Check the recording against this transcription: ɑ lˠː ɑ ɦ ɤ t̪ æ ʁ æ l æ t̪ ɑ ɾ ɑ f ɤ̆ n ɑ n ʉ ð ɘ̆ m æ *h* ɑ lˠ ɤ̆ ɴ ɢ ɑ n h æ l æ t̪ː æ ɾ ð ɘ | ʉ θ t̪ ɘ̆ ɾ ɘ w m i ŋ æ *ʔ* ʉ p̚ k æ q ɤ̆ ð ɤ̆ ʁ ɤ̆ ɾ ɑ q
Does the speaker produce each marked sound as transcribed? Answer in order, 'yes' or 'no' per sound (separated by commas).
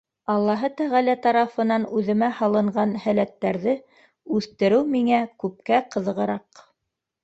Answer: yes, no